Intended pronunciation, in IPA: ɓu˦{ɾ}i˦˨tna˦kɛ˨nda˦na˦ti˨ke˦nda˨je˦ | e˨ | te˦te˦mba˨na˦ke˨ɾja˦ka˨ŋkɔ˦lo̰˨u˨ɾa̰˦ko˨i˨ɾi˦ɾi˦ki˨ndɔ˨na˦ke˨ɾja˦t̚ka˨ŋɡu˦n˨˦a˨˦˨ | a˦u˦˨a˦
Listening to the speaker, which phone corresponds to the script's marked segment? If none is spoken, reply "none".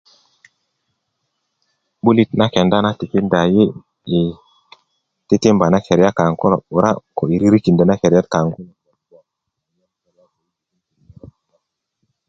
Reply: l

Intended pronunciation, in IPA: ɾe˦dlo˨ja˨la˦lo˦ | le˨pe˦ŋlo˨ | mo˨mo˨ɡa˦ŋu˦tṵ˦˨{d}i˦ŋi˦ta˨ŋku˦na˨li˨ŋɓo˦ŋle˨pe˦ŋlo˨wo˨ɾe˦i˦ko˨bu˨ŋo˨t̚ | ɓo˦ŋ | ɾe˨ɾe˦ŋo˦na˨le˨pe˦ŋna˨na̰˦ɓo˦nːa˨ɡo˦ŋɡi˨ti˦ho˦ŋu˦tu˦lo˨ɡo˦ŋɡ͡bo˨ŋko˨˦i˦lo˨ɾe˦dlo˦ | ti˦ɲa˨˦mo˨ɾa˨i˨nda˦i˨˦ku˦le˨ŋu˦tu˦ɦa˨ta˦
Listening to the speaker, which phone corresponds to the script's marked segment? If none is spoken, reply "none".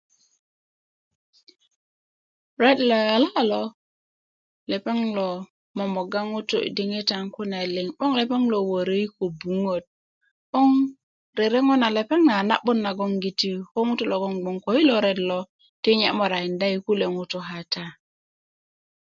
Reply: d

